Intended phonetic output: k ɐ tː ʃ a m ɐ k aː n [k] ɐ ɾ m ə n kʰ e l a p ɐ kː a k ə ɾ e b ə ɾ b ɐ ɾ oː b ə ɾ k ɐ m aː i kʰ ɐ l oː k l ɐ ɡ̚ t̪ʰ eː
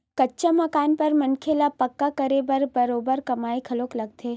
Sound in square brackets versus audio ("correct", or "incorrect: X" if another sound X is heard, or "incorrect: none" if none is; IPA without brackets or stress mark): incorrect: p